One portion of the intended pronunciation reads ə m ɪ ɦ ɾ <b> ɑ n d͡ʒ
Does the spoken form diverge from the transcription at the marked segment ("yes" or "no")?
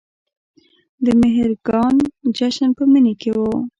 yes